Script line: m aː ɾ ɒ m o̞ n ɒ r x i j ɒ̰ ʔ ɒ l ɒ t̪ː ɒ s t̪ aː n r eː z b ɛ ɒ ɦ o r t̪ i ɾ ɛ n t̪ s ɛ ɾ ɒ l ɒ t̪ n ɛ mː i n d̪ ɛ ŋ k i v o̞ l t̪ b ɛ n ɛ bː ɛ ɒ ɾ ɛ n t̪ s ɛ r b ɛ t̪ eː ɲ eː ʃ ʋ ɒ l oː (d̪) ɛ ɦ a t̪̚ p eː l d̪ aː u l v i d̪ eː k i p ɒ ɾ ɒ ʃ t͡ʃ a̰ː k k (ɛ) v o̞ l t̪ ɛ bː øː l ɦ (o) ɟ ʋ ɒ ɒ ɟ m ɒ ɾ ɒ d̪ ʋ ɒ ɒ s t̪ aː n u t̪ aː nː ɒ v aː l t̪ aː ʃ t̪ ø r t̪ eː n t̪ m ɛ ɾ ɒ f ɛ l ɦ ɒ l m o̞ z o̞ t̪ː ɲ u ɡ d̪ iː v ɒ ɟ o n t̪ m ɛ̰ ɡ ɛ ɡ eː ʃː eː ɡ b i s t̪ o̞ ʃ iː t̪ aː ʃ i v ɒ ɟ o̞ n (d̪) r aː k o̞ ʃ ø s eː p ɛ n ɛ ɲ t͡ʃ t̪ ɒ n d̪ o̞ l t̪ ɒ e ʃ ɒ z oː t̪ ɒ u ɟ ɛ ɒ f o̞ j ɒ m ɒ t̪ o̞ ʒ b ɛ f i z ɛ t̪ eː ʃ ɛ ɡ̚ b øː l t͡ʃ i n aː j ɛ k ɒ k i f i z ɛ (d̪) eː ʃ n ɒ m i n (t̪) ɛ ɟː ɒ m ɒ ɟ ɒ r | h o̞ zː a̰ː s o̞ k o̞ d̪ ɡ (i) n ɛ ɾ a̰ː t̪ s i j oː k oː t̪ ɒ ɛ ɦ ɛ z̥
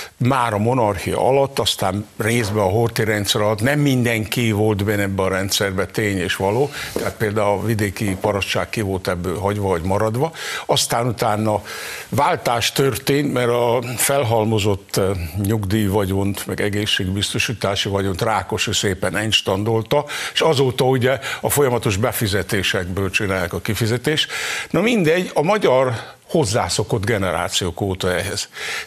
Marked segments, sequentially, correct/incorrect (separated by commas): incorrect, incorrect, incorrect, incorrect, incorrect, incorrect, incorrect